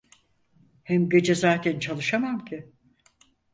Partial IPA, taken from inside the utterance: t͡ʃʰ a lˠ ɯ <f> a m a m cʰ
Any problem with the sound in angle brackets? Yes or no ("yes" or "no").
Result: yes